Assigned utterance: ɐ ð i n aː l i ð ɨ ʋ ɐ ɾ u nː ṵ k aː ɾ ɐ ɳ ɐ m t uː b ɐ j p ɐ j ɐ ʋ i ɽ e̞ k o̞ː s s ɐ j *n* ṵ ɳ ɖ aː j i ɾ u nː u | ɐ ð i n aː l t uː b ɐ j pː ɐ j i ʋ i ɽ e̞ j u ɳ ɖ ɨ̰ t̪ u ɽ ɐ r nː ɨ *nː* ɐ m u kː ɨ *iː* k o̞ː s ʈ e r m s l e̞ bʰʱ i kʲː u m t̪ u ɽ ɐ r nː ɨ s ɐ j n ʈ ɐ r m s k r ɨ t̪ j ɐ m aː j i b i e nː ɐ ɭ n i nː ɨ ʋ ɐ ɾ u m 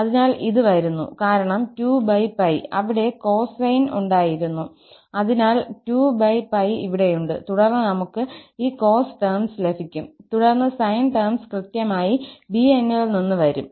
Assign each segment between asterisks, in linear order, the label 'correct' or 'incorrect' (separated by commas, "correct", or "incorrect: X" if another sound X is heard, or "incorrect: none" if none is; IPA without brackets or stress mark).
correct, incorrect: n, correct